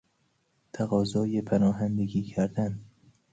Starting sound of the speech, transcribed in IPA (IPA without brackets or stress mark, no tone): t̪ʰ